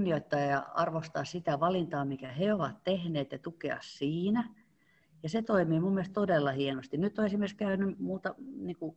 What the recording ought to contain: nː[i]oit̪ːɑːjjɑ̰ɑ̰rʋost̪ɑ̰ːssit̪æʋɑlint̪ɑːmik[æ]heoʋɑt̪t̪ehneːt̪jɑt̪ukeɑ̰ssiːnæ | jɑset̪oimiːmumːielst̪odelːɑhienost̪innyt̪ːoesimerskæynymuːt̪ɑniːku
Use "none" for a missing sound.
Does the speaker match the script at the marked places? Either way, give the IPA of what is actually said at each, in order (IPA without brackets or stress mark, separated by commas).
i, æ